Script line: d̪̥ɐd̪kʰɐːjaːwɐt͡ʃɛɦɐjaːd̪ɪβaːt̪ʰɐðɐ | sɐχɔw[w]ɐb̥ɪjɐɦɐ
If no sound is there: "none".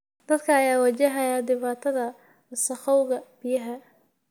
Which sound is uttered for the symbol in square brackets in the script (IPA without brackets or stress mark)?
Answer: ɣ